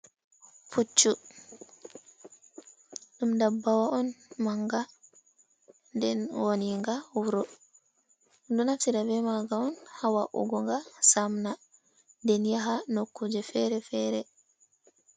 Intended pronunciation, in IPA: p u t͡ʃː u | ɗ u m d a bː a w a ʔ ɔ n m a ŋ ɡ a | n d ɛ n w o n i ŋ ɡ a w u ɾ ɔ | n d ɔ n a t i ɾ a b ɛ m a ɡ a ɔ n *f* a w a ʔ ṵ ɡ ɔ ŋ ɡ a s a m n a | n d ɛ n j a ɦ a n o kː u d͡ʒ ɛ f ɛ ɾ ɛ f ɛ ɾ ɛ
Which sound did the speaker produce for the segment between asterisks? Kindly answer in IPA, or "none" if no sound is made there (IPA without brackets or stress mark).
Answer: h